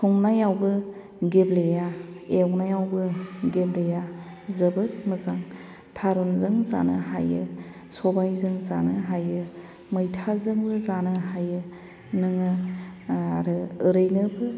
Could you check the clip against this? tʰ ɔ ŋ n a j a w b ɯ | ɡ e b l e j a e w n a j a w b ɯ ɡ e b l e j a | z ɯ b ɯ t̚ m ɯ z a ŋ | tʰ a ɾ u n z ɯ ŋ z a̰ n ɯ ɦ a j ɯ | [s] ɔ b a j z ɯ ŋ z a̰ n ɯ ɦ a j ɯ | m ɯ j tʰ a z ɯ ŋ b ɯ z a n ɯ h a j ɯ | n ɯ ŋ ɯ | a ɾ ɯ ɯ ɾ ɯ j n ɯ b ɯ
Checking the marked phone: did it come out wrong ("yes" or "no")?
no